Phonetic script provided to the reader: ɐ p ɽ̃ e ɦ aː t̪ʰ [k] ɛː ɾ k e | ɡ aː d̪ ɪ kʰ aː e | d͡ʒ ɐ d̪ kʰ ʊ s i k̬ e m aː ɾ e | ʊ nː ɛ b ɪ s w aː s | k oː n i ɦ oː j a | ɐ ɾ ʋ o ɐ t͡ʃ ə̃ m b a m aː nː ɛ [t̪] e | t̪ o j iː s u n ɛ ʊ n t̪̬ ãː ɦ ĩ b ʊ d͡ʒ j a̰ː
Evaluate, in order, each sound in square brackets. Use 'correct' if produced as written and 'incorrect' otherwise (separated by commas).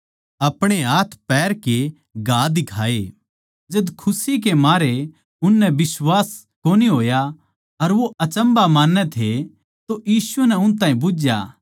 incorrect, incorrect